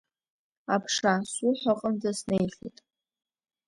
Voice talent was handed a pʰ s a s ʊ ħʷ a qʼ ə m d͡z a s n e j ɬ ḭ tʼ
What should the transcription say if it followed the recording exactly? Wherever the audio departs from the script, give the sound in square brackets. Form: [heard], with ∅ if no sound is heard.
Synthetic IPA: a pʰ [ʂ] a s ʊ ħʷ a qʼ ə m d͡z a s n e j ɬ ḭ tʼ